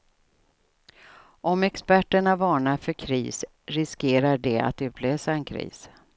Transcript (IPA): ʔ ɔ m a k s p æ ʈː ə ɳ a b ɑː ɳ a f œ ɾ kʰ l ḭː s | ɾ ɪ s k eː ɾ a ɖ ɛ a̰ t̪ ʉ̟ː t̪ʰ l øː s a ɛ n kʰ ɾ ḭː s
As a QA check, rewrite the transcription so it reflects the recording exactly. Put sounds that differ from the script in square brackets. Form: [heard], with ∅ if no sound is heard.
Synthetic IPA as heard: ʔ ɔ m [ɛ] k s p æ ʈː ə ɳ a [v] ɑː ɳ a f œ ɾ kʰ [ɾ] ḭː s | ɾ ɪ s k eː ɾ a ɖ ɛ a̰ t̪ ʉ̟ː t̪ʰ l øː s a ɛ n kʰ ɾ ḭː s